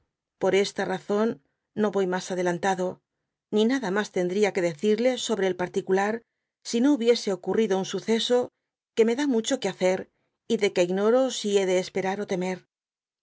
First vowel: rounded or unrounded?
rounded